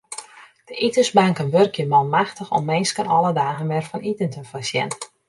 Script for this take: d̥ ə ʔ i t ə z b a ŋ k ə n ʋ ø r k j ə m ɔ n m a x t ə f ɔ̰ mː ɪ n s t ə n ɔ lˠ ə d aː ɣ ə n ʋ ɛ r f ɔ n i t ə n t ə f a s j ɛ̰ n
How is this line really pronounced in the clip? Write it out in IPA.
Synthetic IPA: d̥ ə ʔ i t ə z b a ŋ k ə n ʋ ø r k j ə m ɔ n m a x t ə x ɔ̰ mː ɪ n s k ə n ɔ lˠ ə d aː ɣ ə n ʋ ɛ r f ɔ n i t ə n t ə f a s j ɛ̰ n